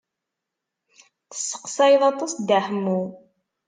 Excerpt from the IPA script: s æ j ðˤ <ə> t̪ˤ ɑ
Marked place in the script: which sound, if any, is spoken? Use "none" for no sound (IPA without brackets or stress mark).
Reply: ɑ